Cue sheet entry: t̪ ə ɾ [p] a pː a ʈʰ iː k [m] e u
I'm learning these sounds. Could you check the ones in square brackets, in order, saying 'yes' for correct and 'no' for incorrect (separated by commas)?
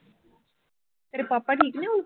yes, no